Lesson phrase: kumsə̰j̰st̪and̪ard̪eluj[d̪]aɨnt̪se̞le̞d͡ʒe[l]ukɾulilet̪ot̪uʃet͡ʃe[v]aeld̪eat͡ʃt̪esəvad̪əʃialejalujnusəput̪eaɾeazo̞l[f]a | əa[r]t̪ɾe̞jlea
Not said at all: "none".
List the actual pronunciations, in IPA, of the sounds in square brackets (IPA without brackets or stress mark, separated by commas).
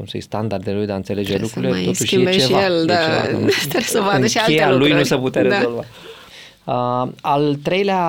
d̪, l, v, v, l